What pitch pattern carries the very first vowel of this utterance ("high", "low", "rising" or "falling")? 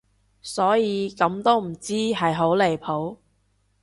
rising